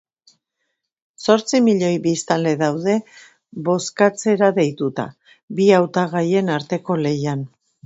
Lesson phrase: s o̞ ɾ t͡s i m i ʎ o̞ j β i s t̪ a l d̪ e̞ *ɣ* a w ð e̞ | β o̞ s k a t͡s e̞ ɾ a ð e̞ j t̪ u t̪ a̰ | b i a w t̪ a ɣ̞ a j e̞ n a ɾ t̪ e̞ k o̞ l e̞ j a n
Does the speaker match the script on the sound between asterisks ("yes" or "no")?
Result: no